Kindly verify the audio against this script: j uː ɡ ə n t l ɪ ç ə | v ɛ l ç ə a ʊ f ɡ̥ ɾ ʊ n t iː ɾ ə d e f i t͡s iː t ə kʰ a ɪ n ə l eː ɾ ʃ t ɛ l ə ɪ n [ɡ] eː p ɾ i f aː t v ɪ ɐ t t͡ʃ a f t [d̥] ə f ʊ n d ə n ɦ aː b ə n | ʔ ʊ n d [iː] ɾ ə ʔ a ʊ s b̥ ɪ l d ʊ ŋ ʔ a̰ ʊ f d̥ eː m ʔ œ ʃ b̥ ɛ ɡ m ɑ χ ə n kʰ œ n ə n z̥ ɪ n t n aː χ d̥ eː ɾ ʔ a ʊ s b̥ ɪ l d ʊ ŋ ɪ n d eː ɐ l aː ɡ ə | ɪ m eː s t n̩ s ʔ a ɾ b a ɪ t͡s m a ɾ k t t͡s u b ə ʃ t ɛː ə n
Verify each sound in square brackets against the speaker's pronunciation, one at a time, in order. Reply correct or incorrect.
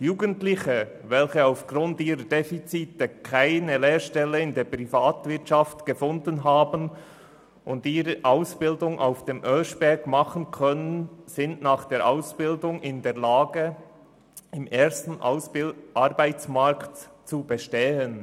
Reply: incorrect, incorrect, correct

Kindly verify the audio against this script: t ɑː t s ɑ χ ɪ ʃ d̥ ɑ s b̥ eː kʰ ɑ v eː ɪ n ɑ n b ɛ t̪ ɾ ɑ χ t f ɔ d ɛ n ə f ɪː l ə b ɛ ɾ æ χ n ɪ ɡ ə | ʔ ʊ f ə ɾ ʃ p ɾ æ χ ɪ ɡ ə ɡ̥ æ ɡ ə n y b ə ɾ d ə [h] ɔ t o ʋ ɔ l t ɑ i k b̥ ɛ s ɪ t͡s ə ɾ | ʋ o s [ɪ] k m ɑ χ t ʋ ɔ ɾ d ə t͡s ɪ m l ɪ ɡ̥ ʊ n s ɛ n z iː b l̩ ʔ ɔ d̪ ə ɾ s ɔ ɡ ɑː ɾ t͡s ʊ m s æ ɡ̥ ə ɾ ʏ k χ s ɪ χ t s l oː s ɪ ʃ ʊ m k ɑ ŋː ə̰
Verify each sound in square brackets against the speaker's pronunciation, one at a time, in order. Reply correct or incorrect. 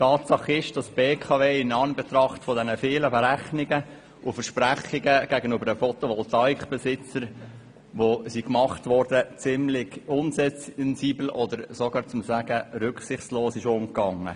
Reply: incorrect, incorrect

